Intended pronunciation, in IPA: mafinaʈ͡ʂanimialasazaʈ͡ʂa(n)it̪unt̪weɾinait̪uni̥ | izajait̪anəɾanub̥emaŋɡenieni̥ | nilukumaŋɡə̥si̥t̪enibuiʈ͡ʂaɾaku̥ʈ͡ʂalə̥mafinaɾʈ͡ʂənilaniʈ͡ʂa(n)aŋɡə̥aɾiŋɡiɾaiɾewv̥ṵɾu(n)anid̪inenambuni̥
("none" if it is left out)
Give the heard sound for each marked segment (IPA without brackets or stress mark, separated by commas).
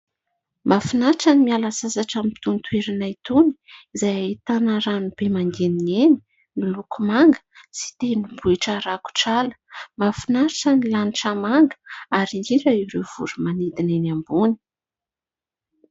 m, m, m